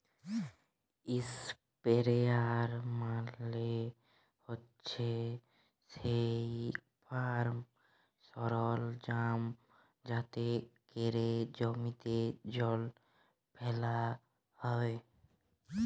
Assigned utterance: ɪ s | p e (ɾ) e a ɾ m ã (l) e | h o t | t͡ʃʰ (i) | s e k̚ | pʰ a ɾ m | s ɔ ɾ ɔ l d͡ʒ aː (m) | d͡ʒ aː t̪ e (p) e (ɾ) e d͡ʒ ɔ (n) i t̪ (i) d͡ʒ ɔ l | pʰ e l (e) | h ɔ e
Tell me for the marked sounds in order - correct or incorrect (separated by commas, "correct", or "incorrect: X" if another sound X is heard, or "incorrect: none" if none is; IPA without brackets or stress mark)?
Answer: correct, correct, incorrect: e, correct, incorrect: k, correct, incorrect: m, incorrect: e, incorrect: a